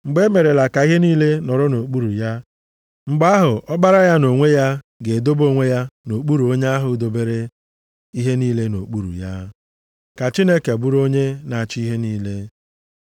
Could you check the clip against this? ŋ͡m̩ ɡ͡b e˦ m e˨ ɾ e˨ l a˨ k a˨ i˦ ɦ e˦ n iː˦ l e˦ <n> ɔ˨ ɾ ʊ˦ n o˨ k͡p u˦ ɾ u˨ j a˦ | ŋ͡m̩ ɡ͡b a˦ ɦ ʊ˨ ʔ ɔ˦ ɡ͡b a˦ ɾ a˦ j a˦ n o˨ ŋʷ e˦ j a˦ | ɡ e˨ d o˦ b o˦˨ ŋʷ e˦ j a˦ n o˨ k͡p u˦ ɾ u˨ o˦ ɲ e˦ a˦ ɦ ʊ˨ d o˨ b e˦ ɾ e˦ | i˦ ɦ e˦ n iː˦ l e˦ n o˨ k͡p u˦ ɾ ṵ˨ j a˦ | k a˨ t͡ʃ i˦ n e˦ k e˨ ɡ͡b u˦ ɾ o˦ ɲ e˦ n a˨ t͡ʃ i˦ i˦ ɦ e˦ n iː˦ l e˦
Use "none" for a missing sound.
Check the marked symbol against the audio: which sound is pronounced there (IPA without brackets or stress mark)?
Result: n